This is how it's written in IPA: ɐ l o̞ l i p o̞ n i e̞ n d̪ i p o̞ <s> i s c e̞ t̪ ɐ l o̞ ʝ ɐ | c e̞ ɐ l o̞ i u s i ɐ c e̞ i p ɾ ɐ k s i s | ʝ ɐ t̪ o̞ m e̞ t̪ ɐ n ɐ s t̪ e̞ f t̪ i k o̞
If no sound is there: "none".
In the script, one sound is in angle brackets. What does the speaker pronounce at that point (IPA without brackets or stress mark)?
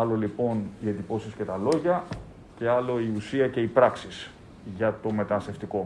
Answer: s